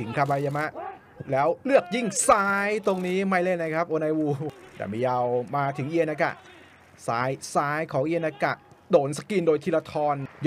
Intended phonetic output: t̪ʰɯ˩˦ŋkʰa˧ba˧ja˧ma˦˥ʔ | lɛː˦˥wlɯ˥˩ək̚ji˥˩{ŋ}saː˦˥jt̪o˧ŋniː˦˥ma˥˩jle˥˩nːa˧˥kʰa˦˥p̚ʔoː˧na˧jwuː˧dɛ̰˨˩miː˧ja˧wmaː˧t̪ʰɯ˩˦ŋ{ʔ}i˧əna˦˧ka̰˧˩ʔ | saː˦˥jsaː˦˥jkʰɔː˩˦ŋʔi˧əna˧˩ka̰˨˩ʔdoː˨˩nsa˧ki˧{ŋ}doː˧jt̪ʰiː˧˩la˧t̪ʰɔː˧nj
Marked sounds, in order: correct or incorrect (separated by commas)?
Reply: correct, correct, incorrect